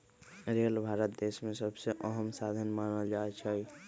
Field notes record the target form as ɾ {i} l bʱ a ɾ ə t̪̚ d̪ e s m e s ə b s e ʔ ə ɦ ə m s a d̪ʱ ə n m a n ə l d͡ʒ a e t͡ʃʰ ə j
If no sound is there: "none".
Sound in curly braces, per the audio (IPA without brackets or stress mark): e